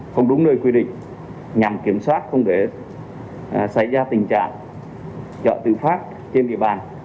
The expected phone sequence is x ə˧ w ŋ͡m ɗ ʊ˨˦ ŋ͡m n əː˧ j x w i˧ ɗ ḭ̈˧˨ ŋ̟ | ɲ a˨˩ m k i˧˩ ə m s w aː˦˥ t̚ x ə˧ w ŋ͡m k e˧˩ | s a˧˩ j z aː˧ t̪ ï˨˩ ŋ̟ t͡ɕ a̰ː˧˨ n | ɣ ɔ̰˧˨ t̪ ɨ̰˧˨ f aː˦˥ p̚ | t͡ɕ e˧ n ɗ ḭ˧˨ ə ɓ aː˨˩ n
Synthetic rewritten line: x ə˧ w ŋ͡m ɗ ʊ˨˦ ŋ͡m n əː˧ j k w i˧ ɗ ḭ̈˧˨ ŋ̟ | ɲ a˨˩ m k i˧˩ ə m s w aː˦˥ t̚ x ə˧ w ŋ͡m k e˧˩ | s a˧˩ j z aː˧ t̪ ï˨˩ ŋ̟ t͡ɕ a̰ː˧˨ ŋ | z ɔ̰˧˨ t̪ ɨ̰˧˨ f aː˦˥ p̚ | t͡ɕ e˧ n ɗ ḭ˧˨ ə ɓ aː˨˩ n